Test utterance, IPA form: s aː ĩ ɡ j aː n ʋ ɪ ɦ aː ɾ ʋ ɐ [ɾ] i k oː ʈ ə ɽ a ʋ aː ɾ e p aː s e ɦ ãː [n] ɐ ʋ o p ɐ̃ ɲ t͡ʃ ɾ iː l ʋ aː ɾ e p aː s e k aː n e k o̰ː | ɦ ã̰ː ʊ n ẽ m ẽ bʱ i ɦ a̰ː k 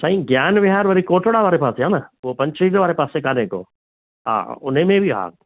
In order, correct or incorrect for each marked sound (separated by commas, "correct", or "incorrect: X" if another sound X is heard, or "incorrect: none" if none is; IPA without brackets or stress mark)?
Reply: correct, correct